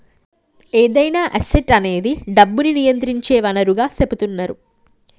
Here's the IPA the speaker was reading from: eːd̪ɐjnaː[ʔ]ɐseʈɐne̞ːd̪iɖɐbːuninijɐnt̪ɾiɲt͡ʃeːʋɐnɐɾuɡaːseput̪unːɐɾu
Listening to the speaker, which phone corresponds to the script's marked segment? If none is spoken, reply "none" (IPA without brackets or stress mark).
ʔ